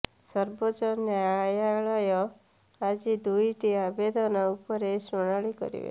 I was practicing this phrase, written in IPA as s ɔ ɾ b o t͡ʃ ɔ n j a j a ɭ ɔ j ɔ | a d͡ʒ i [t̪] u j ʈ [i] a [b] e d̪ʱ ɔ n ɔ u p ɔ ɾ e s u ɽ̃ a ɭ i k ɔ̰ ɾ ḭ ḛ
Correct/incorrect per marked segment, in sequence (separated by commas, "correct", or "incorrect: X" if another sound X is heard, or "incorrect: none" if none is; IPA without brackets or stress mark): incorrect: d̪, correct, correct